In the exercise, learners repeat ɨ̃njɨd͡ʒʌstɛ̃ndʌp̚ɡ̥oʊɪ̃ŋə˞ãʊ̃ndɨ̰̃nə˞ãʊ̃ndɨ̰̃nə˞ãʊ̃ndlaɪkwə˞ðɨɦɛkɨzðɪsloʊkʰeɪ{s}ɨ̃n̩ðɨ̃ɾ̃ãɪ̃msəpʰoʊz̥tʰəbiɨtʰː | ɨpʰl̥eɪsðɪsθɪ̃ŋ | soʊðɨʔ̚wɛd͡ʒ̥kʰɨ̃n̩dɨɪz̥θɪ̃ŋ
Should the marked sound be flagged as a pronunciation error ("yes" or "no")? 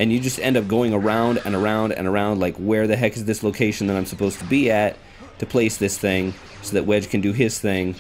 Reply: yes